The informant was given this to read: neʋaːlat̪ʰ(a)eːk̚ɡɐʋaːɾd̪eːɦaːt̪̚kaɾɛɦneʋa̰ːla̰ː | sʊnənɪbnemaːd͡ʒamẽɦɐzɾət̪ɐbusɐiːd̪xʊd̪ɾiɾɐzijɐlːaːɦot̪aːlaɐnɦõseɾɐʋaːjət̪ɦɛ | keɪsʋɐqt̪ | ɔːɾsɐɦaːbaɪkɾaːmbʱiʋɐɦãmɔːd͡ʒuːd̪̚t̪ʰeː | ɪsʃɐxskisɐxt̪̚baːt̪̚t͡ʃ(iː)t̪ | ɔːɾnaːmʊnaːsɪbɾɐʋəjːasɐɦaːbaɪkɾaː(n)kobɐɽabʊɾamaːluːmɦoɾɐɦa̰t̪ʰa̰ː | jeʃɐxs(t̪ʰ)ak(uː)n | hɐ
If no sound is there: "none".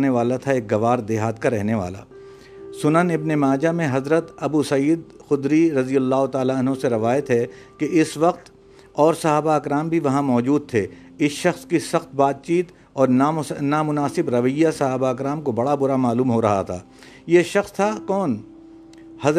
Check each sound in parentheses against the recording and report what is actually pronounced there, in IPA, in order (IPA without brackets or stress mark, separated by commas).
a, iː, m, t̪ʰ, ɔː